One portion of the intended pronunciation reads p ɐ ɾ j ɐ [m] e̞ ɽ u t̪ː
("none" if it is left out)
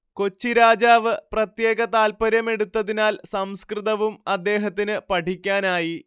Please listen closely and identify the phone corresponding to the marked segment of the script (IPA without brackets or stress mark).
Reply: m